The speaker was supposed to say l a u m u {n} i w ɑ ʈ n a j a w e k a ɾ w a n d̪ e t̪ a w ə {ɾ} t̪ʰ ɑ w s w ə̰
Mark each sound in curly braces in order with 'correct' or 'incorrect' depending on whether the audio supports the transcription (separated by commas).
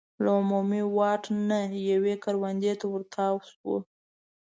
incorrect, correct